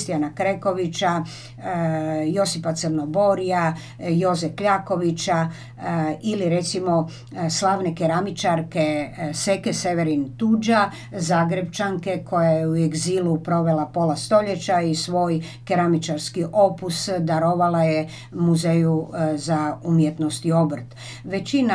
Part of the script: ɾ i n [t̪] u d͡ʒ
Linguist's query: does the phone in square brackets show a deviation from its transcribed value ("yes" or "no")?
no